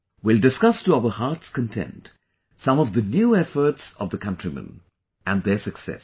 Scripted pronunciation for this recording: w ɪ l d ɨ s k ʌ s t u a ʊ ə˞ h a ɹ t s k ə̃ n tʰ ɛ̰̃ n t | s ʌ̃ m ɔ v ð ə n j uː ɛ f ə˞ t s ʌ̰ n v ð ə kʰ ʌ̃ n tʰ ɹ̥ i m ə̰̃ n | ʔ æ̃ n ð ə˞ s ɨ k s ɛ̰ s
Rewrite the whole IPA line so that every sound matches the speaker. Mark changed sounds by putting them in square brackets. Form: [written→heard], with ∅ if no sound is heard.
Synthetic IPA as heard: w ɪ l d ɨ s k ʌ s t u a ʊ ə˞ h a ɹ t s k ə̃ n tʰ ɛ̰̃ n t | s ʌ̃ m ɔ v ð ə n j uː ɛ f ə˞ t s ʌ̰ [n→∅] v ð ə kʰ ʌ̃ n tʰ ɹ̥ i m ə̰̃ n | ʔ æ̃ n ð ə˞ s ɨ k s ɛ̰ s